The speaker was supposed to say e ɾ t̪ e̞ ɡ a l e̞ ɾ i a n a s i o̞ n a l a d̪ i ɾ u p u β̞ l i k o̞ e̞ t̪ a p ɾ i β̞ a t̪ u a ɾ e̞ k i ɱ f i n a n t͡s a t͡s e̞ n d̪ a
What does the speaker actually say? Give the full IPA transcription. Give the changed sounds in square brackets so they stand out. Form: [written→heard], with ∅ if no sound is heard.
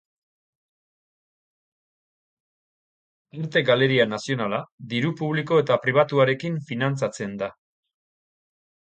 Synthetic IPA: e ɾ t̪ e̞ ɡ a l e̞ ɾ i a n a s i o̞ n a l a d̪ i ɾ u p u β̞ l i k o̞ e̞ t̪ a p ɾ i β̞ a t̪ u a ɾ e̞ k i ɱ f i n a n t͡s a t͡s e̞ n d̪ a